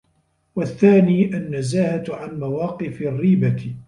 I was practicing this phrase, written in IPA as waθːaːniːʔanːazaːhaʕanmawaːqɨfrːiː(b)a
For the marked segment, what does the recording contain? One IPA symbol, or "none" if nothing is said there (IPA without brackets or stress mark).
b